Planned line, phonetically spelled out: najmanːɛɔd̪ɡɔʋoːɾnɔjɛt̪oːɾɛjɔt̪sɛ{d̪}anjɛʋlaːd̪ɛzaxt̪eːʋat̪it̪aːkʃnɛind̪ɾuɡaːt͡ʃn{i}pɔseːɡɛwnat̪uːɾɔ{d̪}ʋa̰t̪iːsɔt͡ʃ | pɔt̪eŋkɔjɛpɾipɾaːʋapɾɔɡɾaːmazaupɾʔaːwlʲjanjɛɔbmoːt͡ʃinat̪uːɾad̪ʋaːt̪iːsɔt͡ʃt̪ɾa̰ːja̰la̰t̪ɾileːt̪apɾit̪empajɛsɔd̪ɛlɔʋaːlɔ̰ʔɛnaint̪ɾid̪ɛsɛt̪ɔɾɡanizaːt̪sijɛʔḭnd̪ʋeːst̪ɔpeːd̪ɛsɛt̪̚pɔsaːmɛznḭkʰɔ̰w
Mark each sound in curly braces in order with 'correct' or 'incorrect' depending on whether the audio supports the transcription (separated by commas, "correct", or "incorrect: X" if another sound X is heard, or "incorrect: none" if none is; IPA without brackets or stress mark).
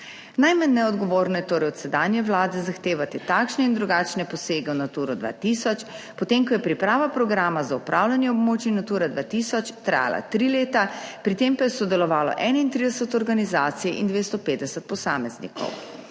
correct, incorrect: ɛ, correct